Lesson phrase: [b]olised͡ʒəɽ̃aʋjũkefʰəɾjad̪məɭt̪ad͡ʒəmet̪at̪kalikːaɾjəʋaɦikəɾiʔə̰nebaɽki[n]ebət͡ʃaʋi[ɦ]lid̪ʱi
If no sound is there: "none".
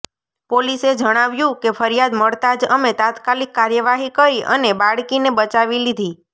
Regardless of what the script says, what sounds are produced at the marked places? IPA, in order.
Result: p, n, none

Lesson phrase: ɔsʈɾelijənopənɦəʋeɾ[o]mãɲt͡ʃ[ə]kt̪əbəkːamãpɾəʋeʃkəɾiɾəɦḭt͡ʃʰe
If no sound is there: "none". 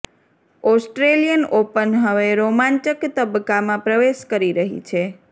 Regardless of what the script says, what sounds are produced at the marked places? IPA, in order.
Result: o, ə

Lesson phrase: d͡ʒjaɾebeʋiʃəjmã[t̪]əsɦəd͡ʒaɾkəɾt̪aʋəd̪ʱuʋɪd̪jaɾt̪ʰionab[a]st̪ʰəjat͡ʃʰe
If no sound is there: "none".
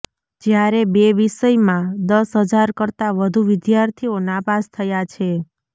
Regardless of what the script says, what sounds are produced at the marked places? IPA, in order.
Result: d̪, a

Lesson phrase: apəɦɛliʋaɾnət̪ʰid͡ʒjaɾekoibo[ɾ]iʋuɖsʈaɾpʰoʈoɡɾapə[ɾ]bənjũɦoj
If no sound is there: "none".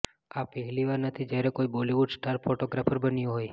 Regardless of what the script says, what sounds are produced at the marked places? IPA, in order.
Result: l, ɾ

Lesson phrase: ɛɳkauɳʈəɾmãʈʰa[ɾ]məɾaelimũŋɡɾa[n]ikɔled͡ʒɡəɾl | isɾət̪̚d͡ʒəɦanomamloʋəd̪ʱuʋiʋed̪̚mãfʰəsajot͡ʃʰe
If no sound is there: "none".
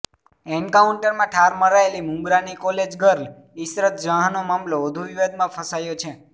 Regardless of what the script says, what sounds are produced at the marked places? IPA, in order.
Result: ɾ, n

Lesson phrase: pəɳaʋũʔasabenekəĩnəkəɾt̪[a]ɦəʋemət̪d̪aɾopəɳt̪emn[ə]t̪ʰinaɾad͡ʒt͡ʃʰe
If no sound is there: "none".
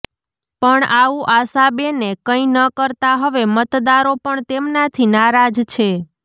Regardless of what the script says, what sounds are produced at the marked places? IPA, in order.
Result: a, a

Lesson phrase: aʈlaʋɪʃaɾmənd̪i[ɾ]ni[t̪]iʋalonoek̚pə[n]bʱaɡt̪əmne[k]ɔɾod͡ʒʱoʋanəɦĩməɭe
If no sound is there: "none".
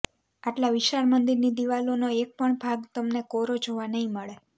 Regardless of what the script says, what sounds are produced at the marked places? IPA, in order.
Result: ɾ, d̪, ɳ, k

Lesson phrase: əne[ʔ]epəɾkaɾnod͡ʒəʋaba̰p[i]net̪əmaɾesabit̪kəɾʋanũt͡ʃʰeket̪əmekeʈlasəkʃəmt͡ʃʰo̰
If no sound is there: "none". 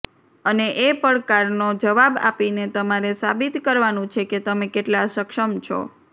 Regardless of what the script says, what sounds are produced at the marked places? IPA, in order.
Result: ʔ, i

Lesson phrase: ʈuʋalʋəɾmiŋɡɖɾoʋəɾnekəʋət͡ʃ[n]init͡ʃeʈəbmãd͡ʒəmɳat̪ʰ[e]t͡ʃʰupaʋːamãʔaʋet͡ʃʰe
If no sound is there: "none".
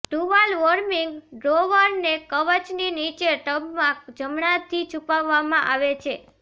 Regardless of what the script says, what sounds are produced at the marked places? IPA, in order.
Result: n, i

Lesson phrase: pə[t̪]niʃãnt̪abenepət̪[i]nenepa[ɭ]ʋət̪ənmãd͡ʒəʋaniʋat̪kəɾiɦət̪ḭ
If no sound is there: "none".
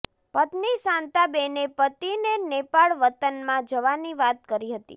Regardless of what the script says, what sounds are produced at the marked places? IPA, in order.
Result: t̪, i, ɭ

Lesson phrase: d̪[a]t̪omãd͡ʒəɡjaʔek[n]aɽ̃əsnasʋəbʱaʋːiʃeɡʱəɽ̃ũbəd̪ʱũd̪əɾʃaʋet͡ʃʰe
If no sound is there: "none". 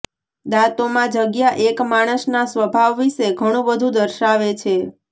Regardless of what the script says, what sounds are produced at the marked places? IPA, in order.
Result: a, m

